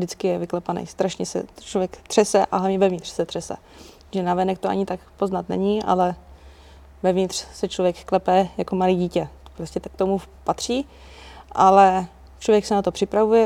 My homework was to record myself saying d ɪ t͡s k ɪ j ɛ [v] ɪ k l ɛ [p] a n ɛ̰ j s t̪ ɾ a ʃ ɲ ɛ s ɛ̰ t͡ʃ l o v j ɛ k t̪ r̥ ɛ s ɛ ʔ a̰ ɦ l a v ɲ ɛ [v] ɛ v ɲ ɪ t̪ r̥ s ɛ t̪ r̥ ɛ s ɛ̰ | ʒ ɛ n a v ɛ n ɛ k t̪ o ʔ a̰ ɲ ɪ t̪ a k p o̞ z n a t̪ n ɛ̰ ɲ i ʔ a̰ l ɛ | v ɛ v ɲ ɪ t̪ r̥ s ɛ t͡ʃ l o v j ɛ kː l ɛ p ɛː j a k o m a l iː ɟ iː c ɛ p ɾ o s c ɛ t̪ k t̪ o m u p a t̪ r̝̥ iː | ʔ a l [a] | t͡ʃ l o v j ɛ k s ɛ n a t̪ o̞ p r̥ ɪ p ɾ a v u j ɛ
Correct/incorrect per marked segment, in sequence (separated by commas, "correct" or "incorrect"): correct, correct, correct, incorrect